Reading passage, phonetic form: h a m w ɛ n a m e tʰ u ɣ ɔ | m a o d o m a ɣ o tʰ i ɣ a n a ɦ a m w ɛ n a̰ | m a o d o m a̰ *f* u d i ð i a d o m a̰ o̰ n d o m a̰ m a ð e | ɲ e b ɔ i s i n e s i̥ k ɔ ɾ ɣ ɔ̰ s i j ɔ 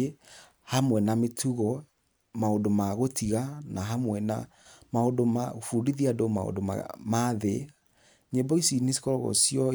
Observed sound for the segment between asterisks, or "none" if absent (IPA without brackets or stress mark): f